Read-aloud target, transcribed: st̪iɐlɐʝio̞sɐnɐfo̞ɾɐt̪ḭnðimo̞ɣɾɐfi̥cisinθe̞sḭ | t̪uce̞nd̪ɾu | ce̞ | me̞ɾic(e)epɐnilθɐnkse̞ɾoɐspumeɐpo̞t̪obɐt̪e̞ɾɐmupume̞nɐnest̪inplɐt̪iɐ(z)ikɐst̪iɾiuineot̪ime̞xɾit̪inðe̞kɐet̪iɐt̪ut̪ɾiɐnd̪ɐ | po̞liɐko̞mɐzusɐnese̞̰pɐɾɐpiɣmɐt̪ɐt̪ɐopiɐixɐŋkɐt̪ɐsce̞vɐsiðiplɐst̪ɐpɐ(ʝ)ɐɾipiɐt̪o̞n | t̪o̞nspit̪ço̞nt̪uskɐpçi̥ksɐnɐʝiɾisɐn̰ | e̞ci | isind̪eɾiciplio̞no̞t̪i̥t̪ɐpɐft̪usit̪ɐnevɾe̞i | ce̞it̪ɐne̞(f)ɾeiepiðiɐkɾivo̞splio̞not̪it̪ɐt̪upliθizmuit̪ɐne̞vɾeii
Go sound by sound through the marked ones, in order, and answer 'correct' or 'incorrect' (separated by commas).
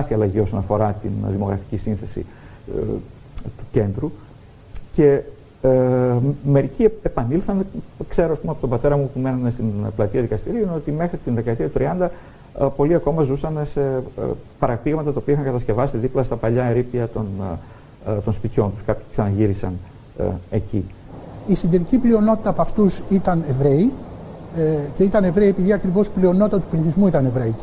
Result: incorrect, incorrect, incorrect, incorrect